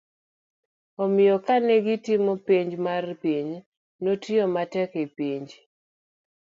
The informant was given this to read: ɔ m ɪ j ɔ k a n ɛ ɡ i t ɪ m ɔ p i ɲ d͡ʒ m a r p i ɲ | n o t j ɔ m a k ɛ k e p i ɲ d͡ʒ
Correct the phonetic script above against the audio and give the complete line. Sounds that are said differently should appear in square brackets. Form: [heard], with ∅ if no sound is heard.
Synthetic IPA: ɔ m ɪ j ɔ k a n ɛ ɡ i t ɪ m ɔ p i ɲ d͡ʒ m a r p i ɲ | n o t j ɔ m a [t] ɛ k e p i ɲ d͡ʒ